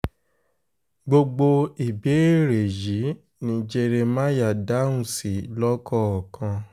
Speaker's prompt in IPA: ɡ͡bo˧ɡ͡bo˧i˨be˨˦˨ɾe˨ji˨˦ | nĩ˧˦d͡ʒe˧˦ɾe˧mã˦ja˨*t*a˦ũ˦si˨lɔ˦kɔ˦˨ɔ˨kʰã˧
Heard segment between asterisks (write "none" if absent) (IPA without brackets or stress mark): d